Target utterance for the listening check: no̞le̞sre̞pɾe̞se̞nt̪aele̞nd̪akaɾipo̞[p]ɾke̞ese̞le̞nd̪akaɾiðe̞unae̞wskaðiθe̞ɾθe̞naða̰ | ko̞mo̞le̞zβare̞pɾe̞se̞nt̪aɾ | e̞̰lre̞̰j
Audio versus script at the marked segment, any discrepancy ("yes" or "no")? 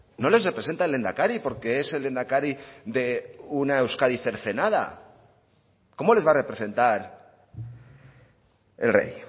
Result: yes